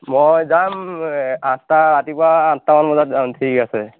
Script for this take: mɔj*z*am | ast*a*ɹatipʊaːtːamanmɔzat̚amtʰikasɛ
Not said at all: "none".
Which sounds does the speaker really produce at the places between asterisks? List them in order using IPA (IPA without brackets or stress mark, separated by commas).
z, a